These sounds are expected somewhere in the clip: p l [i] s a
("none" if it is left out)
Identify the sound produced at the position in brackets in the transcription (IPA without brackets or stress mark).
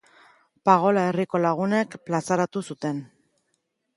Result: a